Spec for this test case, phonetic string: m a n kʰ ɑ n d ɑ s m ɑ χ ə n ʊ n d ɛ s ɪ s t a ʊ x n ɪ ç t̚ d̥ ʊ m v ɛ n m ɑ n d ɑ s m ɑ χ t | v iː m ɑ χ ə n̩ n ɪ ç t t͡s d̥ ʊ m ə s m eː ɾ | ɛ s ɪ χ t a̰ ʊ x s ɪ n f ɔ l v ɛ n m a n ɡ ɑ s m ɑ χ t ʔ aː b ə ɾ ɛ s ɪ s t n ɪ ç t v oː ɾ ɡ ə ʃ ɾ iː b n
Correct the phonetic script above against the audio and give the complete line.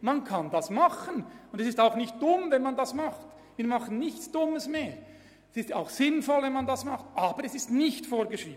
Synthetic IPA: m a n kʰ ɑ n d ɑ s m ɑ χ ə n ʊ n d ɛ s ɪ s t a ʊ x n ɪ ç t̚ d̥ ʊ m v ɛ n m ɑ n d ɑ s m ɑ χ t | v iː m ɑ χ ə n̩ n ɪ ç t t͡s d̥ ʊ m ə s m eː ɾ | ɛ s ɪ s t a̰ ʊ x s ɪ n f ɔ l v ɛ n m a n d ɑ s m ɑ χ t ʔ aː b ə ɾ ɛ s ɪ s t n ɪ ç t f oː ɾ ɡ ə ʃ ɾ iː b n